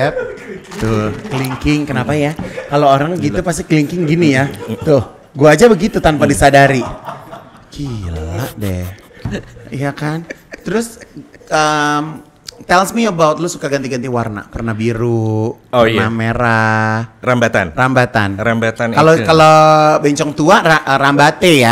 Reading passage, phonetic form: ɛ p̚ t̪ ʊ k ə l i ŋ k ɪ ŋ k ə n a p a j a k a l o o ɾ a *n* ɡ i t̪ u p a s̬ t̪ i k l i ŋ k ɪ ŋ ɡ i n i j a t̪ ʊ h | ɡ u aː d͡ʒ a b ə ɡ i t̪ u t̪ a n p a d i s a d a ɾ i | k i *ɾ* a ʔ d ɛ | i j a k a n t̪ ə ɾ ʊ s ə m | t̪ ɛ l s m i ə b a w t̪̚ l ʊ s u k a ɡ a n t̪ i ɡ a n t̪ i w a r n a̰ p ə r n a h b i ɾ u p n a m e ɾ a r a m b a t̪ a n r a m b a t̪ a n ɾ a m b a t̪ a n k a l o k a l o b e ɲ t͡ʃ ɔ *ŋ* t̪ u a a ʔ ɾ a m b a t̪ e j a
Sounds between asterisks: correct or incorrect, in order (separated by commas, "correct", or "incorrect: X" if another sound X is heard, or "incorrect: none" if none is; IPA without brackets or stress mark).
incorrect: ŋ, incorrect: l, correct